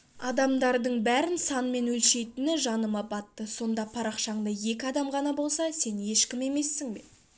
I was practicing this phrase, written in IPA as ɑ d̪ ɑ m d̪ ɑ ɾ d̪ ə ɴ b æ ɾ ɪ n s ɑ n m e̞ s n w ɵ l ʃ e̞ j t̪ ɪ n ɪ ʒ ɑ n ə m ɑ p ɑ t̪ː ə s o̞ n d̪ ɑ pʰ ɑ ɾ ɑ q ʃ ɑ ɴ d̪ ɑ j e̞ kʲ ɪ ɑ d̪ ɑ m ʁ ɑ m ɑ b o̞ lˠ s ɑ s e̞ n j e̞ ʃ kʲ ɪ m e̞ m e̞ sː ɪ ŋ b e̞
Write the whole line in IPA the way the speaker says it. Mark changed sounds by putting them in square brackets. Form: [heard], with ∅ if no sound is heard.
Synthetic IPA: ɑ d̪ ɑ m d̪ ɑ ɾ d̪ ə ɴ b æ ɾ ɪ n s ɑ n m e̞ [∅] n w ɵ l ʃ e̞ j t̪ ɪ n ɪ ʒ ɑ n ə m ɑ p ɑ t̪ː ə s o̞ n d̪ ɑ pʰ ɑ ɾ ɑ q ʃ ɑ ɴ d̪ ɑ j e̞ kʲ ɪ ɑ d̪ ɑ m ʁ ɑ [n] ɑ b o̞ lˠ s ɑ s e̞ n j e̞ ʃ kʲ ɪ m e̞ m e̞ sː ɪ ŋ b e̞